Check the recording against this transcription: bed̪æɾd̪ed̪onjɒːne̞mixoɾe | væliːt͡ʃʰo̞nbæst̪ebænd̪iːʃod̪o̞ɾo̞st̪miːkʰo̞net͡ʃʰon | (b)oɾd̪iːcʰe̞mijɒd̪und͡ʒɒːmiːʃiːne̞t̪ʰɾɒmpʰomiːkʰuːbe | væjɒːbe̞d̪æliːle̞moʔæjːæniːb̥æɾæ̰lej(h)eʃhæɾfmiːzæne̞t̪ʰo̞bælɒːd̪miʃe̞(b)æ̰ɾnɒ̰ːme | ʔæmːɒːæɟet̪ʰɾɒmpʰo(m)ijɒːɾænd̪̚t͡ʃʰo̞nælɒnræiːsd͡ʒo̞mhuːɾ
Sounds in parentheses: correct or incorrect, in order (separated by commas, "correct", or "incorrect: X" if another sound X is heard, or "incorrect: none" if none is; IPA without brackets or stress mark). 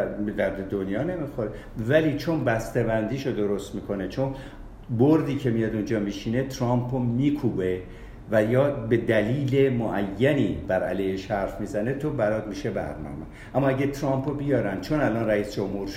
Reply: correct, correct, correct, incorrect: b